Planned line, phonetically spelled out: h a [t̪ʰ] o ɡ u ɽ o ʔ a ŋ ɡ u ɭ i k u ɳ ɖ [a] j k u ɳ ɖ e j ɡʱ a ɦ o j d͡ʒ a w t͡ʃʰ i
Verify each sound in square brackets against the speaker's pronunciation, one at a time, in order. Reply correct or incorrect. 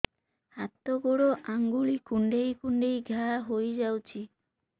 incorrect: t̪, incorrect: e

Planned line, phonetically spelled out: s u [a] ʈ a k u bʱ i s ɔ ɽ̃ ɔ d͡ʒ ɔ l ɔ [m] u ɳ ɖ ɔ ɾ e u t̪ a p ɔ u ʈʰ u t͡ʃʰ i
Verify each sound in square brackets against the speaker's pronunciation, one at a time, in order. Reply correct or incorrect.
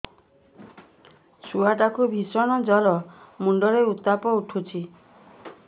correct, correct

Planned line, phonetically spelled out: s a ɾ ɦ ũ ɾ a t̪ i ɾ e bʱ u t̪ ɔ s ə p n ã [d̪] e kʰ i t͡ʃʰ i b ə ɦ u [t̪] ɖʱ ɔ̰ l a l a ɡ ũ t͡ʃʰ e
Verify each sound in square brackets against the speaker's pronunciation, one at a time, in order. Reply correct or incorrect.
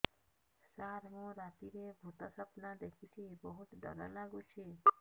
correct, correct

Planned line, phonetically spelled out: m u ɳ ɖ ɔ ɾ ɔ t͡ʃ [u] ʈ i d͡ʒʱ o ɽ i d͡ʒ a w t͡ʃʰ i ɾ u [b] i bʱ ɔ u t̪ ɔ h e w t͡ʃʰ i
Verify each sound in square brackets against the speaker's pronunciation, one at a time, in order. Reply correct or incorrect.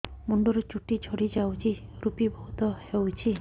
correct, incorrect: p

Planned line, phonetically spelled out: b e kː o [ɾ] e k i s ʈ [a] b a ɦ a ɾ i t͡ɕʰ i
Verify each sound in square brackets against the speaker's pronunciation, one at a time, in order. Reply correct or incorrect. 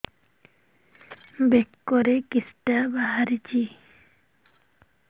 correct, correct

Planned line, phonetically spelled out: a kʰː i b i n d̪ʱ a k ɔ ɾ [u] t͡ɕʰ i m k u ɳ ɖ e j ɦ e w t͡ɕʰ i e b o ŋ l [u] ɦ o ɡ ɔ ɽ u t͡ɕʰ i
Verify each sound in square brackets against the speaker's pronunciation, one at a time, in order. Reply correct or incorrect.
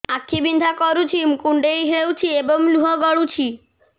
correct, correct

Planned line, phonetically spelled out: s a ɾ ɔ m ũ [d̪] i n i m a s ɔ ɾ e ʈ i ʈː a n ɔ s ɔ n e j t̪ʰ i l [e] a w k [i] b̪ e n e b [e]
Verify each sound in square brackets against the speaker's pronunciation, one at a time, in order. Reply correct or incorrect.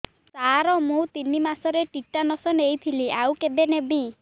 incorrect: t̪, incorrect: i, incorrect: e, incorrect: i

